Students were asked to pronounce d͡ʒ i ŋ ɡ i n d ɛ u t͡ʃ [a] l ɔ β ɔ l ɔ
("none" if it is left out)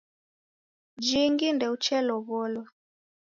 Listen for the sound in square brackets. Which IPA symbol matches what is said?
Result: ɛ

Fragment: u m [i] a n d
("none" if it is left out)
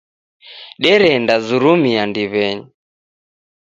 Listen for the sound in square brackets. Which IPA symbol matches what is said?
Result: i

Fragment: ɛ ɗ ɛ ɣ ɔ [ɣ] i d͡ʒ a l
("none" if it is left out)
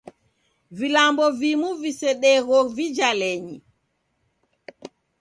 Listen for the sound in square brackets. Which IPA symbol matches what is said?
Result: v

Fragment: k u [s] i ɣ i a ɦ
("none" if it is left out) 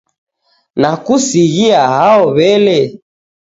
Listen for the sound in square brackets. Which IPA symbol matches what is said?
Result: s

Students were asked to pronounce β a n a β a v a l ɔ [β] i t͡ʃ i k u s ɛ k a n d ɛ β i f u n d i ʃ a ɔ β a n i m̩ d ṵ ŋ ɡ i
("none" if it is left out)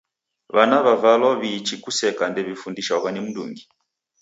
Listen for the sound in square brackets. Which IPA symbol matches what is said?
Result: β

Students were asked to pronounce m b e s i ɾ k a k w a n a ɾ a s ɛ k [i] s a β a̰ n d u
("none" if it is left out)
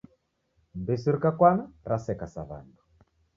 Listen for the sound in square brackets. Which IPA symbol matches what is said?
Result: a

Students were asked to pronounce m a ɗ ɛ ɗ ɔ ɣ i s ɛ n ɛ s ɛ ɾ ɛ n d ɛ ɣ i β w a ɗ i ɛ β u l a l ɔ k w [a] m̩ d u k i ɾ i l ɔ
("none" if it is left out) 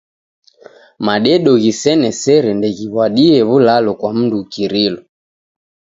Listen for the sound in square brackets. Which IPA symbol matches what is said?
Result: a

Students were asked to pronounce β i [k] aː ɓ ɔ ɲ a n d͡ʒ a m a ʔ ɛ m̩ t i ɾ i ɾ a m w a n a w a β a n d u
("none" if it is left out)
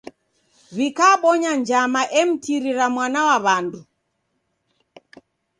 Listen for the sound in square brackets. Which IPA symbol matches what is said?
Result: k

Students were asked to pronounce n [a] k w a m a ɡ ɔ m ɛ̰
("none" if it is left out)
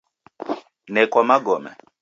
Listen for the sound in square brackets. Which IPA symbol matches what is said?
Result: ɛ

